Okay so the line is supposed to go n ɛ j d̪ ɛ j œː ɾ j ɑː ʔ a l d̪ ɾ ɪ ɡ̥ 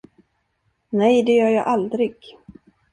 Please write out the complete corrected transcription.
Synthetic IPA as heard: n ɛ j d̪ ɛ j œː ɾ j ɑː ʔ a l d̪ ɾ ɪ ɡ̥